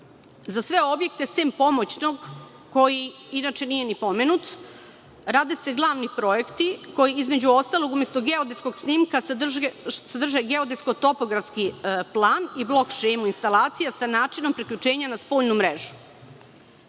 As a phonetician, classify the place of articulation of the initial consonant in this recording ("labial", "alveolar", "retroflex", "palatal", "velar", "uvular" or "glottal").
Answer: alveolar